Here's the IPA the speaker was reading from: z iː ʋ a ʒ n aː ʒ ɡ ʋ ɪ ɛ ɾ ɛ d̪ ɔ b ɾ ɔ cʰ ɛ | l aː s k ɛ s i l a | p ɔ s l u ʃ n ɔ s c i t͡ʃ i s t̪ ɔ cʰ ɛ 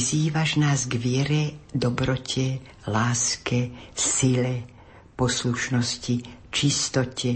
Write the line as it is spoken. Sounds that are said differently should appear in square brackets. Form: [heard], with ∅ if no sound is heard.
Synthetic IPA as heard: z iː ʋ a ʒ n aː [z] ɡ ʋ ɪ ɛ ɾ ɛ d̪ ɔ b ɾ ɔ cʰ ɛ | l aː s k ɛ s i l [ɛ] | p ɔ s l u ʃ n ɔ s c i t͡ʃ i s t̪ ɔ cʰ ɛ